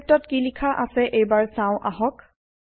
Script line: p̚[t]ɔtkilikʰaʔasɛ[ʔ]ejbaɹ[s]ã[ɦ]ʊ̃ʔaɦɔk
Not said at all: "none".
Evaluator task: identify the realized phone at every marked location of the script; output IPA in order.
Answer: t, ʔ, s, none

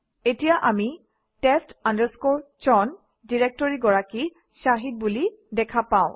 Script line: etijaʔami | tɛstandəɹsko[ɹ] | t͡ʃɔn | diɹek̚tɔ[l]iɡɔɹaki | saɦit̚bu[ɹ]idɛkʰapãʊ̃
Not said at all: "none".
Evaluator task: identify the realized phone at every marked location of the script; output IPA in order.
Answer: ɹ, ɹ, l

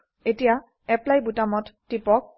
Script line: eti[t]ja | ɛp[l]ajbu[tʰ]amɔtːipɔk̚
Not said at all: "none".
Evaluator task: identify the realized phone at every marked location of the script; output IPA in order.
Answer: none, l, t

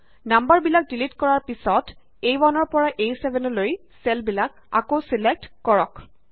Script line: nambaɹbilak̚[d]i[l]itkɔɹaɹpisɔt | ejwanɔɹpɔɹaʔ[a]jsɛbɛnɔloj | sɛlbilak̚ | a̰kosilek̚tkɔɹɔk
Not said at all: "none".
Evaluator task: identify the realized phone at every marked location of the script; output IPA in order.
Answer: d, l, e

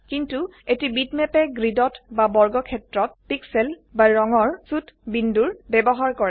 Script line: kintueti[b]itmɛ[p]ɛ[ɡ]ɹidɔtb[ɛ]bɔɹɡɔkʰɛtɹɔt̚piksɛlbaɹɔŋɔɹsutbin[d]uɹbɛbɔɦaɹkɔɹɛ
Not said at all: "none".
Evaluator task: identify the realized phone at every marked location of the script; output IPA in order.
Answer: b, p, ɡ, a, d

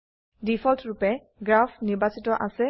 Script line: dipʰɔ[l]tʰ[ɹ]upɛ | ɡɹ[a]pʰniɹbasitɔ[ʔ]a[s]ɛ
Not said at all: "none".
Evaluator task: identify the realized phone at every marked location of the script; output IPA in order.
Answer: l, ɹ, a, ʔ, s

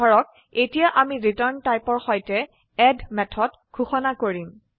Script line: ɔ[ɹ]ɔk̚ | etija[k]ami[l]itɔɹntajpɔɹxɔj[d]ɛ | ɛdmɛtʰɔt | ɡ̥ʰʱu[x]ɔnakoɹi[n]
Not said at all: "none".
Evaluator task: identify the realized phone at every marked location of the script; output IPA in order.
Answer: ɹ, ʔ, ɹ, t, x, m

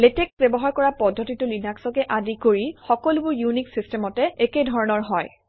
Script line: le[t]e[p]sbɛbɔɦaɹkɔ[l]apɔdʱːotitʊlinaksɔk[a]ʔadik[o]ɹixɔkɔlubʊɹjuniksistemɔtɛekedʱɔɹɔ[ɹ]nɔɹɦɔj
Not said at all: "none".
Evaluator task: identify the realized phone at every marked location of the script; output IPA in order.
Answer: t, k, ɹ, ɛ, o, none

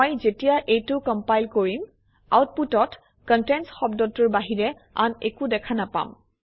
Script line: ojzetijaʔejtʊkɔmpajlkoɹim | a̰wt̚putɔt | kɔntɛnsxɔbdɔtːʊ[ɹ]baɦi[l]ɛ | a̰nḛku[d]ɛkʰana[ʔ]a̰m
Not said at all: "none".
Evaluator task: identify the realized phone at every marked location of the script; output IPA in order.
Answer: ɹ, ɹ, d, p

